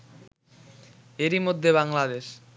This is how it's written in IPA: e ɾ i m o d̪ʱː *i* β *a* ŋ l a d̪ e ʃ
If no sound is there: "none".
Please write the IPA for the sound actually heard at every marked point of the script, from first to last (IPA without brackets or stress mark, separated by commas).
e, a